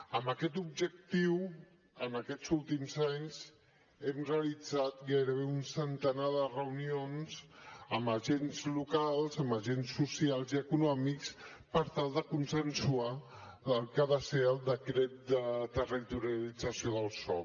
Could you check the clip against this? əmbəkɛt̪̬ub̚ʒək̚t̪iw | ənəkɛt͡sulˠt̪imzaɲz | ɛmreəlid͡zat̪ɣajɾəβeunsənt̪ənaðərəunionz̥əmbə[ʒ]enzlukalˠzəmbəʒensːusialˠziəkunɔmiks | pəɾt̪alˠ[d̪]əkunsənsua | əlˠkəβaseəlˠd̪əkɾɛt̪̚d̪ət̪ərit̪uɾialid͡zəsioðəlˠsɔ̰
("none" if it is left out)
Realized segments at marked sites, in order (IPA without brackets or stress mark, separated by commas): ʒ, d̪